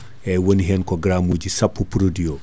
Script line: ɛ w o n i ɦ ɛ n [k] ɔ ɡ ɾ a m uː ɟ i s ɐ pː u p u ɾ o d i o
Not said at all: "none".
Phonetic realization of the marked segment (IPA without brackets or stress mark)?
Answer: k